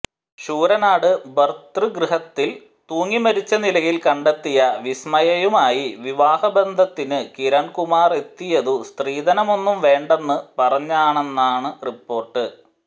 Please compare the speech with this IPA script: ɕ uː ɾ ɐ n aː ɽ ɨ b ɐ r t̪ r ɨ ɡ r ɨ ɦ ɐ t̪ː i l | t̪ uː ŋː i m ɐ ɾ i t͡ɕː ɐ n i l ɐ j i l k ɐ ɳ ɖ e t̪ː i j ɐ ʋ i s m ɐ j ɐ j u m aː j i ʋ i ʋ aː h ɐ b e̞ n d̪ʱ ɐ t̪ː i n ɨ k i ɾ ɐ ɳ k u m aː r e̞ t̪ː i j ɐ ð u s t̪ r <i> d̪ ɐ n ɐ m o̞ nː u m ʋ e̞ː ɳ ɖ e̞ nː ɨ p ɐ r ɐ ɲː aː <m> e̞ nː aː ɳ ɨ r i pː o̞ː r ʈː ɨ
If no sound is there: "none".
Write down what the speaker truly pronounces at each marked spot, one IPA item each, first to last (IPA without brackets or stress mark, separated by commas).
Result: iː, ɳ